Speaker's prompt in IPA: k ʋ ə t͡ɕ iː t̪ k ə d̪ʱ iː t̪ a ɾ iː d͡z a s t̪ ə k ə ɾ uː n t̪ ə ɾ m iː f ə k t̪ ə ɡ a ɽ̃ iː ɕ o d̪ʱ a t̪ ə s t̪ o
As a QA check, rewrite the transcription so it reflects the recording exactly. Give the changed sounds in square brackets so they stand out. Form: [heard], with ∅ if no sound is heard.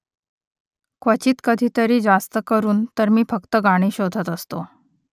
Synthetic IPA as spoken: k ʋ ə t͡ɕ iː t̪ k ə d̪ʱ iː t̪ [ə] ɾ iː d͡z a s t̪ ə k ə ɾ uː n t̪ ə ɾ m iː f ə k t̪ ə ɡ a ɽ̃ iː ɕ o d̪ʱ [ə] t̪ ə s t̪ o